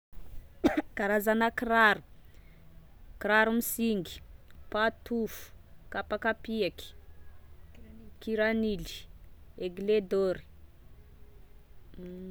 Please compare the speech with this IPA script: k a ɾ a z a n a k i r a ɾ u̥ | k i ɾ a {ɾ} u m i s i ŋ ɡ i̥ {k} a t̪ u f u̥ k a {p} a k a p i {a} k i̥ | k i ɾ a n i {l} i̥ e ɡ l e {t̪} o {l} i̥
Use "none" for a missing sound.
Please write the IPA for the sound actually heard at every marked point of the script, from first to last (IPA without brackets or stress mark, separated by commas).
ɾ, p, p, a, l, d̪, ɾ